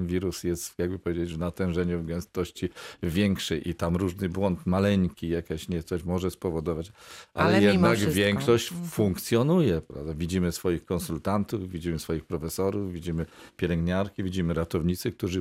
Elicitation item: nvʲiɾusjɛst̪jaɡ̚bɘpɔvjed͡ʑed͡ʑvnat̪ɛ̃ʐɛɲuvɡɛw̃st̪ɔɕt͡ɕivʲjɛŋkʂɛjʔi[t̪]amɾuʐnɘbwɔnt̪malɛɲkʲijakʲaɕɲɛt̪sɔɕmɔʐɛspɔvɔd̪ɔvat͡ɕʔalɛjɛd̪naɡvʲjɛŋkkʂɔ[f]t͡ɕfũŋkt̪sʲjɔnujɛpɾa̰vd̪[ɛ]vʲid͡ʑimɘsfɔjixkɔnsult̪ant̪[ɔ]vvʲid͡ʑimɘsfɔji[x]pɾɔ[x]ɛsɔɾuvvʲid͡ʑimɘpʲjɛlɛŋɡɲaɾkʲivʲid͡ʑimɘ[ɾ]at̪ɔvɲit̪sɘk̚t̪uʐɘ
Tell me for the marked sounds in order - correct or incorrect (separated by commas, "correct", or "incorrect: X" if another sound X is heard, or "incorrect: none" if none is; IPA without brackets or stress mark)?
correct, incorrect: ɕ, incorrect: a, incorrect: u, correct, incorrect: f, correct